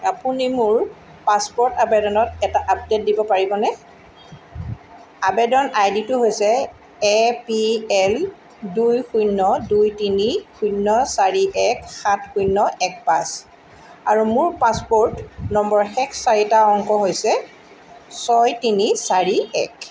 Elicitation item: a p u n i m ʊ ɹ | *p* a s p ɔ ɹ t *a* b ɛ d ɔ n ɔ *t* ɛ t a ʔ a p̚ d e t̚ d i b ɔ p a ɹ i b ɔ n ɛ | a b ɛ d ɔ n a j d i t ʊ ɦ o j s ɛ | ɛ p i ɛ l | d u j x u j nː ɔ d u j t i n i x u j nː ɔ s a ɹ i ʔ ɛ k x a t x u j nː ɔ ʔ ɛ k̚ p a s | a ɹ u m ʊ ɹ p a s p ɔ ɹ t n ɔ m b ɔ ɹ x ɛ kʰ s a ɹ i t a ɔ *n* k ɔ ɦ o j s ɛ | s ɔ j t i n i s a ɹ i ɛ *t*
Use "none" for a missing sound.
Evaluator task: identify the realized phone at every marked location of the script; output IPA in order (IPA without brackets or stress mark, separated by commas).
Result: p, a, t, ŋ, k